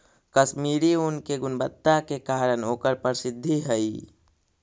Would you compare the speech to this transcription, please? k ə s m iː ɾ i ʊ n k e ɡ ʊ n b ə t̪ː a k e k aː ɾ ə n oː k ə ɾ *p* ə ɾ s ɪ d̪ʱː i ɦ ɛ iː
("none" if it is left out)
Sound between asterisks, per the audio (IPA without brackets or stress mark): p